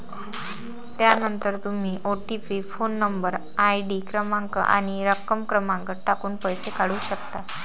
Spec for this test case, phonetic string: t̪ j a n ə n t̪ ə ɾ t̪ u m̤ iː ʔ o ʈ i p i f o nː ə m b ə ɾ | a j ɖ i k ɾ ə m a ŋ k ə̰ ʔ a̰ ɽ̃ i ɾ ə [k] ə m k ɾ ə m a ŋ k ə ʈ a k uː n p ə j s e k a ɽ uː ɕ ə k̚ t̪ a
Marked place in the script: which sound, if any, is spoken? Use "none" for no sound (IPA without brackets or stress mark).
k